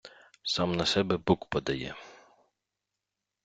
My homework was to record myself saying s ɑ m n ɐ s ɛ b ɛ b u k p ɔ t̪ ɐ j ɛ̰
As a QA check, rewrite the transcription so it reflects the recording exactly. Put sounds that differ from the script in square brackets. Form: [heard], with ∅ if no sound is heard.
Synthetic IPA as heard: s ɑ m n ɐ s ɛ b ɛ b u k p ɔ [d̪] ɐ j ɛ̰

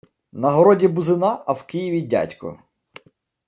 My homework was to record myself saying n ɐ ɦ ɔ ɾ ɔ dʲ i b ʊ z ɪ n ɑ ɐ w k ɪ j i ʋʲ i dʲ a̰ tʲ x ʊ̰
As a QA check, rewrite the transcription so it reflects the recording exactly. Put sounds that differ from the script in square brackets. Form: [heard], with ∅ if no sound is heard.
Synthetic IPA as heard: n ɐ ɦ ɔ ɾ ɔ dʲ i b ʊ z ɪ n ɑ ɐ w k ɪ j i ʋʲ i dʲ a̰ tʲ [k] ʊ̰

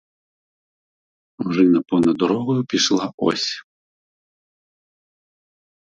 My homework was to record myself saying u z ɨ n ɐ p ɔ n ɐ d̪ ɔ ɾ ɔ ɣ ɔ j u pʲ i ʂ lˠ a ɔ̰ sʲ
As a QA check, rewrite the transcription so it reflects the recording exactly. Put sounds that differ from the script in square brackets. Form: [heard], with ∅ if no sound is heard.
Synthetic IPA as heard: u [ʐ] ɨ n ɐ p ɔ n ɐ d̪ ɔ ɾ ɔ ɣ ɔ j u pʲ i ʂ lˠ a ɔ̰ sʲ

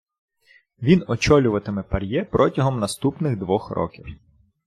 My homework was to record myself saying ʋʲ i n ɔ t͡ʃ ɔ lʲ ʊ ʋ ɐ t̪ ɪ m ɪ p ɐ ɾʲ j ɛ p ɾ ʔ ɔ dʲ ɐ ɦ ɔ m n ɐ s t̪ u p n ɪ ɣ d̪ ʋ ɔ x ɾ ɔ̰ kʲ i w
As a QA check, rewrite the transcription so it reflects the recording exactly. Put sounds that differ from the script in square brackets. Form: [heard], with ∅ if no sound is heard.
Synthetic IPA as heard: ʋʲ i n ɔ t͡ʃ ɔ lʲ ʊ ʋ ɐ t̪ ɪ m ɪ p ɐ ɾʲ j ɛ p ɾ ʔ ɔ [tʲ] ɐ ɦ ɔ m n ɐ s t̪ u p n ɪ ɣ d̪ ʋ ɔ x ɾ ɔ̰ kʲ i w

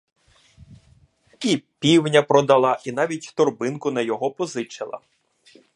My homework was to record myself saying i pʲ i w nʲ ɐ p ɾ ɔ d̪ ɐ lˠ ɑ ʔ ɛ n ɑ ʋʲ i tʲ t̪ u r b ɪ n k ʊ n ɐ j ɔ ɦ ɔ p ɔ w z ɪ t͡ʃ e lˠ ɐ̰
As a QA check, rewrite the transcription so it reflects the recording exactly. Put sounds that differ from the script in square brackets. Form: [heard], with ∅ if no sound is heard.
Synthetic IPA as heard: i pʲ i w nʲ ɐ p ɾ ɔ d̪ ɐ lˠ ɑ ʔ [i] n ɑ ʋʲ i tʲ t̪ [ɔ] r b ɪ n k ʊ n ɐ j ɔ ɦ ɔ p ɔ [∅] z ɪ t͡ʃ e lˠ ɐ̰

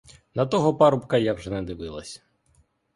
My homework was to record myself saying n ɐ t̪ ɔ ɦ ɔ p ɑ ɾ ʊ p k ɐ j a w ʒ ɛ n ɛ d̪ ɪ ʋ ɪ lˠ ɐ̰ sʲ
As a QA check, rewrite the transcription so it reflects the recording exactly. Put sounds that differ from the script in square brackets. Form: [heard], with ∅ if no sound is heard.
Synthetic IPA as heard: n ɐ t̪ ɔ ɦ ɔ p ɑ ɾ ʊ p k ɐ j a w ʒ ɛ n ɛ d̪ ɪ ʋ ɪ lˠ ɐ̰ sʲ

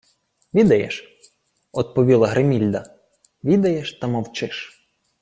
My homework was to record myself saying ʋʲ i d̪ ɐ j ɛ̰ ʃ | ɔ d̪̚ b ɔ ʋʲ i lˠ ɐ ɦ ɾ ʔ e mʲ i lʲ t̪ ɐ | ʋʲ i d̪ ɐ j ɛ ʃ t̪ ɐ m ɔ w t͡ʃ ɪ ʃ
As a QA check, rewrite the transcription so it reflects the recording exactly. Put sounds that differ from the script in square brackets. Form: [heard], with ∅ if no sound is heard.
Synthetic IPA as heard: ʋʲ i d̪ ɐ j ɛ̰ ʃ | ɔ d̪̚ [p] ɔ ʋʲ i lˠ ɐ ɦ ɾ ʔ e mʲ i lʲ [d̪] ɐ | ʋʲ i d̪ ɐ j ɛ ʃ t̪ ɐ m ɔ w t͡ʃ ɪ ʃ

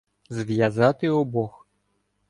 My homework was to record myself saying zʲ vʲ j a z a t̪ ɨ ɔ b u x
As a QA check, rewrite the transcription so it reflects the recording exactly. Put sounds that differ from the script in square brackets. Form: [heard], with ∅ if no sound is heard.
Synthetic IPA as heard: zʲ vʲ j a z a t̪ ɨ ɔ b [ɔ] x

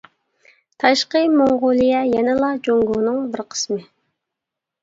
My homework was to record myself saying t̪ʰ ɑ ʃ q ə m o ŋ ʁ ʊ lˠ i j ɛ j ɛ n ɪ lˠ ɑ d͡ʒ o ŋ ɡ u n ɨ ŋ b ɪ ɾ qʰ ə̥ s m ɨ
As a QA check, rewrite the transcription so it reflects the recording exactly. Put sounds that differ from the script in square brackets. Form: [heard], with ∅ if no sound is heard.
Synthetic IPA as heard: t̪ʰ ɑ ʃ q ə m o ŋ ʁ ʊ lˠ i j ɛ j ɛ n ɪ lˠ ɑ d͡ʒ o ŋ ɡ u n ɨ ŋ b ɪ ɾ qʰ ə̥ s m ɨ

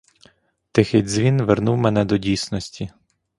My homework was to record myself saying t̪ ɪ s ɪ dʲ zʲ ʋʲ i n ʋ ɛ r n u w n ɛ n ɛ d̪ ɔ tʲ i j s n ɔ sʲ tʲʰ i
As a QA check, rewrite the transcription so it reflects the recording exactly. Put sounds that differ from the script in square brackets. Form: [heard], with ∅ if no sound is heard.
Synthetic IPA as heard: t̪ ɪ [x] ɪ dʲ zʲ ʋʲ i n ʋ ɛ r n u w [m] ɛ n ɛ d̪ ɔ [dʲ] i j s n ɔ sʲ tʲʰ i

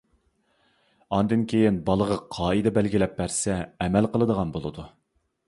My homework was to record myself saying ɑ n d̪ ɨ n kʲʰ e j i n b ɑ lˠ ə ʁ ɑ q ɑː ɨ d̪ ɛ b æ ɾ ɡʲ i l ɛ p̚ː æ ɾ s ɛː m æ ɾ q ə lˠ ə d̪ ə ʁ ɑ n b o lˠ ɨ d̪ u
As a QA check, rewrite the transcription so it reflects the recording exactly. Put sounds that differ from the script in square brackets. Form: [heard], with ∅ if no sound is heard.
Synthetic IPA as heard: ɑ n d̪ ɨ n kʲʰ e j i n b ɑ lˠ ə ʁ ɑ [qʰ] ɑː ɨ d̪ ɛ b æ [l] ɡʲ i l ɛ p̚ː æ ɾ s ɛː m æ [l] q ə lˠ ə d̪ ə ʁ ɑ n b o lˠ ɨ d̪ u

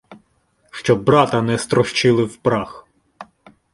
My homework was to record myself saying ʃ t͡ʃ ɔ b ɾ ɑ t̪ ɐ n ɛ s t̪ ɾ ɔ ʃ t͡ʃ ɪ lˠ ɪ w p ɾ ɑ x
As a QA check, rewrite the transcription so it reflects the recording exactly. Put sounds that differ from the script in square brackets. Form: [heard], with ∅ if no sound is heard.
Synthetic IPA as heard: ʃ t͡ʃ ɔ b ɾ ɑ t̪ ɐ n ɛ s t̪ ɾ ɔ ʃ t͡ʃ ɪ lˠ ɪ w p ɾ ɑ x

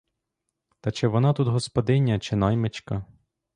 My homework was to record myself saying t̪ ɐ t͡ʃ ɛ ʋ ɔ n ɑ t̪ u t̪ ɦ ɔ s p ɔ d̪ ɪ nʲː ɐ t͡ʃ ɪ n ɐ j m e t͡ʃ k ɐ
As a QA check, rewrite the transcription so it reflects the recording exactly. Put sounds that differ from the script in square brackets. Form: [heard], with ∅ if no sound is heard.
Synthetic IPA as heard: t̪ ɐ t͡ʃ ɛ ʋ ɔ n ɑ t̪ u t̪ ɦ ɔ s p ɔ d̪ ɪ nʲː ɐ t͡ʃ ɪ n [ɑ] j m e t͡ʃ k ɐ

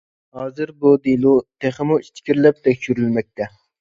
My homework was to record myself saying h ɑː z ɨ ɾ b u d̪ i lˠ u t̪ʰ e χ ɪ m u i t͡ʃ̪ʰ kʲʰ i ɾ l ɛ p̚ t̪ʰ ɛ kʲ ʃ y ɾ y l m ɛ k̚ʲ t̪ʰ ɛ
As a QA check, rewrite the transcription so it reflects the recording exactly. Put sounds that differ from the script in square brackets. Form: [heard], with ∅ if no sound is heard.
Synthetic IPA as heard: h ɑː z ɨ ɾ b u d̪ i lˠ u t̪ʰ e χ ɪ m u i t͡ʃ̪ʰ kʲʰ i ɾ l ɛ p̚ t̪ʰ ɛ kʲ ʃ y ɾ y l m ɛ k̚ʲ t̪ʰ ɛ

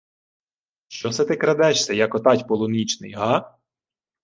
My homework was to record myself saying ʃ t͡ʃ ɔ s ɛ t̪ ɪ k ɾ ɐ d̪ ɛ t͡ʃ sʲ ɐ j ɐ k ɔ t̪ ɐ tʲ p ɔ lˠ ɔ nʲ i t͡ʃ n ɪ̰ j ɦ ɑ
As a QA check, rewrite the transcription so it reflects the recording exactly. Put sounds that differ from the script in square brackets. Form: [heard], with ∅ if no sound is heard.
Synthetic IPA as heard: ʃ t͡ʃ ɔ s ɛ t̪ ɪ k ɾ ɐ d̪ ɛ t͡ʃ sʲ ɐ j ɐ k ɔ t̪ [ɑ] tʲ p ɔ lˠ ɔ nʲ i t͡ʃ n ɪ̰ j ɦ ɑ

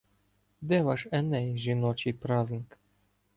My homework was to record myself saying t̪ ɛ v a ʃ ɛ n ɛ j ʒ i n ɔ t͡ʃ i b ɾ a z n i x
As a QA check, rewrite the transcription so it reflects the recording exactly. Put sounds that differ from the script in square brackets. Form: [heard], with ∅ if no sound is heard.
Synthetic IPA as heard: [d̪] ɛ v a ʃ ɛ n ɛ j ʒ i n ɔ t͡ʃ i [p] ɾ a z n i [k]

